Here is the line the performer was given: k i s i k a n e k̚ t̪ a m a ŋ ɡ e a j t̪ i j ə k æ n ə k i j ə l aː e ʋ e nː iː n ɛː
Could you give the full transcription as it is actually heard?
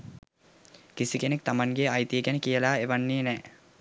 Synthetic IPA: k i s i k e n e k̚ t̪ a m a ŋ ɡ e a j t̪ i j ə k æ n ə k i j ə l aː e ʋ a nː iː n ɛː

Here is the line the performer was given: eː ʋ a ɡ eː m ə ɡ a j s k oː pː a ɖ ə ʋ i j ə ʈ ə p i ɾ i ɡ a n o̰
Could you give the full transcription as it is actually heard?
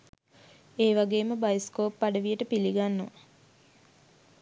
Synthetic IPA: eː ʋ a ɡ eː m ə b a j s k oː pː a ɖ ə ʋ i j ə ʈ ə p i l i ɡ a nː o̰

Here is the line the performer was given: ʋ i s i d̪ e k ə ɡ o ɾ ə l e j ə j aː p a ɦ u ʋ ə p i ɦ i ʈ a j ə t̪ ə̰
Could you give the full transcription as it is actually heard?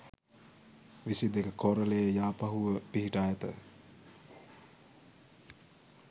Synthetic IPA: ʋ i s i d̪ e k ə k o ɾ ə l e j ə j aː p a ɦ u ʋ ə p i ɦ i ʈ a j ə t̪ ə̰

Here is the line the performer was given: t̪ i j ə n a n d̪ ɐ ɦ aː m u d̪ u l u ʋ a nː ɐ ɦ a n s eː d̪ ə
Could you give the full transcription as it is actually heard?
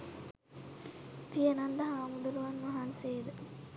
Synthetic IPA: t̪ i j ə n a n d̪ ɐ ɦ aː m u d̪ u l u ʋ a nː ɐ ɦ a n s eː d̪ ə

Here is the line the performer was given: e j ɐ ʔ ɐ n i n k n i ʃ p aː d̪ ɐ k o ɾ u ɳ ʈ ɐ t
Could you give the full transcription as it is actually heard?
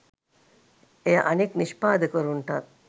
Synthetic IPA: e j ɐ ʔ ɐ n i k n i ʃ p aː d̪ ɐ k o ɾ u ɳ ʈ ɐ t

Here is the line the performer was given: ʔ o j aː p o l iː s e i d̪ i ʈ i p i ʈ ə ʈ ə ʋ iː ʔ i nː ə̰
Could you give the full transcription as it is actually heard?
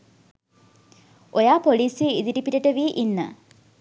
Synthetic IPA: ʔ o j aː p o l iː s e i d̪ i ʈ i p i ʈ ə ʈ ə ʋ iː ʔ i nː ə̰

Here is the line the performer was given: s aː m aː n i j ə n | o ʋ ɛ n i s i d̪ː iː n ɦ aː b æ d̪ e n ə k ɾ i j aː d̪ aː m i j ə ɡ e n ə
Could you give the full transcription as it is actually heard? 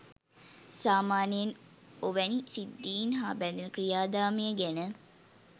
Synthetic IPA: s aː m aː n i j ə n | o ʋ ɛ n i s i d̪ː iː n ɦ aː b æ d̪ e n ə k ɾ i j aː d̪ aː m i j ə ɡ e n ə

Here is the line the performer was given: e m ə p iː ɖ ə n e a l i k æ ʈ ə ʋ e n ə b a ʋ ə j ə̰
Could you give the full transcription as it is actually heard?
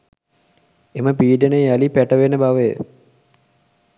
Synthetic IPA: e m ə p iː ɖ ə n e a l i p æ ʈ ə ʋ e n ə b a ʋ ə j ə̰

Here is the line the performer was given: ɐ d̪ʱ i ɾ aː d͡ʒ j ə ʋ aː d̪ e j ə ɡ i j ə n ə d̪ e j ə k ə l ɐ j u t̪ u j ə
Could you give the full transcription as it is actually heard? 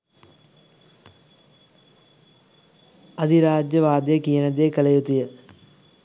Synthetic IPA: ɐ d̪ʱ i ɾ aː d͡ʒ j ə ʋ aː d̪ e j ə k i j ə n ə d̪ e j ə k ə l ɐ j u t̪ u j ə

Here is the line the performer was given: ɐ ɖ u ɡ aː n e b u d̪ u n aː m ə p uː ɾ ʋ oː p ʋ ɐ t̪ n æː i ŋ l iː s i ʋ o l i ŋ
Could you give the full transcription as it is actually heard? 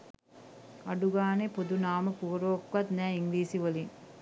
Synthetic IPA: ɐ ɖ u ɡ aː n e p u d̪ u n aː m ə p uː ɾ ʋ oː k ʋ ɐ t̪ n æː i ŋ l iː s i ʋ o l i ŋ

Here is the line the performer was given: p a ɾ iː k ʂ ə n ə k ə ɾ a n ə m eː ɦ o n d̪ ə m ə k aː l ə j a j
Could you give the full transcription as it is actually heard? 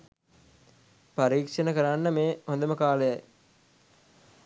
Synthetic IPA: p a ɾ iː k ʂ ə n ə k ə ɾ a nː ə m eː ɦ o n d̪ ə m ə k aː l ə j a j

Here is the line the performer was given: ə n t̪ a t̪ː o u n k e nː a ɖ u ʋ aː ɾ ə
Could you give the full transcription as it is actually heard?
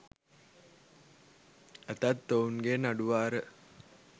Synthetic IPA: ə t̪ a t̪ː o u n ɡ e n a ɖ u ʋ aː ɾ ə

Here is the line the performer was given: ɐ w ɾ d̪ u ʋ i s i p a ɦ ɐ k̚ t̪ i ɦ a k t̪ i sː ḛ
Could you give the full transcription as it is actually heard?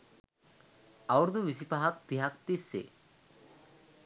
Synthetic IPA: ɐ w ɾ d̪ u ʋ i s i p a ɦ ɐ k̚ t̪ i ɦ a k t̪ i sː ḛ

